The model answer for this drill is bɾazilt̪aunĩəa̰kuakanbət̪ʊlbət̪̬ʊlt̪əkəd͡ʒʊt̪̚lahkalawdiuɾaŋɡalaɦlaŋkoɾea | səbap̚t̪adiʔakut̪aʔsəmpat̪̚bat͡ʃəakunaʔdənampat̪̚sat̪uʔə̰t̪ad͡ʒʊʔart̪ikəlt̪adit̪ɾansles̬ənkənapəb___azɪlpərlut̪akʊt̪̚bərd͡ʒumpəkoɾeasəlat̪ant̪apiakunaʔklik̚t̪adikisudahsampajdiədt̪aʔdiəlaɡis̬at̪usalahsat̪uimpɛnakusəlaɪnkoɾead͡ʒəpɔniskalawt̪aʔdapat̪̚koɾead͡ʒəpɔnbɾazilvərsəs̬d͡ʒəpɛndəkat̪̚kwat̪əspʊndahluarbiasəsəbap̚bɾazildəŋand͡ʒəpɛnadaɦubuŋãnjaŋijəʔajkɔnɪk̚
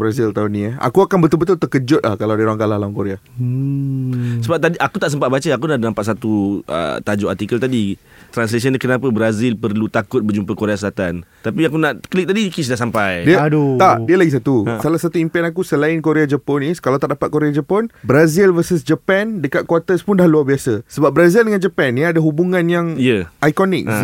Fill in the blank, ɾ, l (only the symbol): ɾ